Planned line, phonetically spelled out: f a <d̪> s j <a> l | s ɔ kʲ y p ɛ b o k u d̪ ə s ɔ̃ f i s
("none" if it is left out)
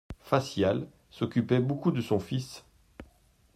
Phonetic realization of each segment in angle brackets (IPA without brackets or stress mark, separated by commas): none, a